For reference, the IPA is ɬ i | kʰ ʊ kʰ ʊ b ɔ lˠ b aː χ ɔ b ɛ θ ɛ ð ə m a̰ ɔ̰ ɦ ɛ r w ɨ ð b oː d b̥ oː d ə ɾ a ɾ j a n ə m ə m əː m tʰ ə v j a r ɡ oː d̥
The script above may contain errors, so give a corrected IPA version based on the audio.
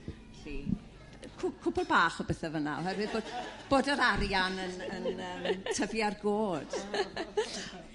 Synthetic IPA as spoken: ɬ i | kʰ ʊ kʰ ʊ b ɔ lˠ b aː χ ɔ b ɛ θ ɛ v ə n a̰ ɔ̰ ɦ ɛ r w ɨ ð b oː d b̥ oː d ə ɾ a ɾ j a n ə n ə n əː m tʰ ə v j a r ɡ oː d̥